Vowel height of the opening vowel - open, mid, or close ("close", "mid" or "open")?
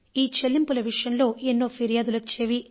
close